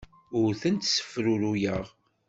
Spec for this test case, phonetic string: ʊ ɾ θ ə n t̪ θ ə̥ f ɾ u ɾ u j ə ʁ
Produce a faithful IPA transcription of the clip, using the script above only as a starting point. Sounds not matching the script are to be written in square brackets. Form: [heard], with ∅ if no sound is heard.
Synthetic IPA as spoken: ʊ ɾ θ ə n t̪ [s] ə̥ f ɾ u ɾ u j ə ʁ